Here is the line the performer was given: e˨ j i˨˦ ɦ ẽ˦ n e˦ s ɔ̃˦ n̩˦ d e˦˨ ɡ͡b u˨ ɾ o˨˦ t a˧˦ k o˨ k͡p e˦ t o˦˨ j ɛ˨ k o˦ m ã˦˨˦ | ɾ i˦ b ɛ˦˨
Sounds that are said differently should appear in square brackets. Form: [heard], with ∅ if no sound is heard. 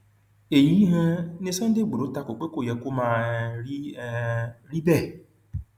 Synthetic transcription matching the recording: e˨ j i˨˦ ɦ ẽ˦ n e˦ s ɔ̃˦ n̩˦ d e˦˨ ɡ͡b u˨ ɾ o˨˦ t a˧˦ k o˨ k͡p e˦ [k] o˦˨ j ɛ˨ k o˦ m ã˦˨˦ | ɾ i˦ b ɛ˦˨